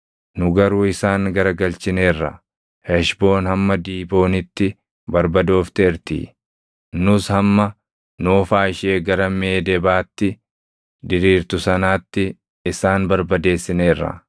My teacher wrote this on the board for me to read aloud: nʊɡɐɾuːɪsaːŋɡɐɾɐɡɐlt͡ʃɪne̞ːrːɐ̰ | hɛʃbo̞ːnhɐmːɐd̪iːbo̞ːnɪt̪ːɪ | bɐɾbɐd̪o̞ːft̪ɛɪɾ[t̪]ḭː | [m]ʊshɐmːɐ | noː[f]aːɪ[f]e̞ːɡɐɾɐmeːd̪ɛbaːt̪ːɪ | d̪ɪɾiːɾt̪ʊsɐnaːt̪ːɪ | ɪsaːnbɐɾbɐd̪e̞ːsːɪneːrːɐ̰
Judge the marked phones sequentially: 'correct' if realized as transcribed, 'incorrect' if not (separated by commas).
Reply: correct, incorrect, correct, incorrect